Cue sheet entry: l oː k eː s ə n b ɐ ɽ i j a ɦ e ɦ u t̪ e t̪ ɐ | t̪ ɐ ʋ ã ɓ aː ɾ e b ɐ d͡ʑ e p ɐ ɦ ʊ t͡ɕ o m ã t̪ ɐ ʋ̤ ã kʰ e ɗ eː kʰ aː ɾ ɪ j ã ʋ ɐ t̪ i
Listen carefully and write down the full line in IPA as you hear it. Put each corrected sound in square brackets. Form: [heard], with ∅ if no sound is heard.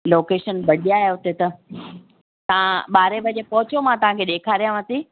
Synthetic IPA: l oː k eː [ʃ] ə n b ɐ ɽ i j a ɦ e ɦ [ʊ] t̪ e t̪ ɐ | t̪ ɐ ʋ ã ɓ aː ɾ e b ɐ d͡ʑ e p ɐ ɦ ʊ t͡ɕ o m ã t̪ ɐ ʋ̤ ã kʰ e ɗ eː kʰ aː ɾ [i] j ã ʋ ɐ t̪ i